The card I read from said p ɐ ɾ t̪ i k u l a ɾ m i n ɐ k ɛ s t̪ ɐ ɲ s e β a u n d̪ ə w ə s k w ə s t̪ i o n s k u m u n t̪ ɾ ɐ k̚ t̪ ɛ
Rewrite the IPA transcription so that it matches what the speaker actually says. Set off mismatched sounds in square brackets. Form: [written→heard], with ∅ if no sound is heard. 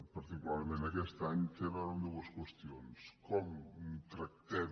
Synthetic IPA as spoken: p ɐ ɾ t̪ i k u l a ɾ m [i→e] n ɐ k ɛ s t̪ [ɐ→a] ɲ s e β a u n d̪ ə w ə s k w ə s t̪ i o n s k [u→ɔ] m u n t̪ ɾ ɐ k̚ t̪ ɛ